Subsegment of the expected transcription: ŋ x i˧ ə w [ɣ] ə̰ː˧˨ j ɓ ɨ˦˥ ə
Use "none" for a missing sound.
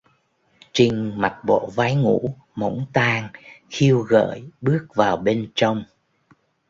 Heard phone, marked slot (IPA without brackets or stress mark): ɣ